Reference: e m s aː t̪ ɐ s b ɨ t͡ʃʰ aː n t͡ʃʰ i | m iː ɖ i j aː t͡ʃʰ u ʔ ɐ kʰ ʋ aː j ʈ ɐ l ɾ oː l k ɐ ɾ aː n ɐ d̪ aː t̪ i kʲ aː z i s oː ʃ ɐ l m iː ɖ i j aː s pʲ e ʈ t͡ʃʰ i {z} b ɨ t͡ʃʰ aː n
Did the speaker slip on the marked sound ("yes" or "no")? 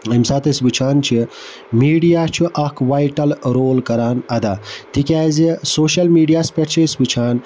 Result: yes